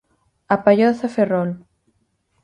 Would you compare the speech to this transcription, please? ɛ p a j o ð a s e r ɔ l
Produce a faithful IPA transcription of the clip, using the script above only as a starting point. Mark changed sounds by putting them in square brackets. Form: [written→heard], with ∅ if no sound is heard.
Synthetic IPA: [ɛ→a] p a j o [ð→θ] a [s→f] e r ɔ l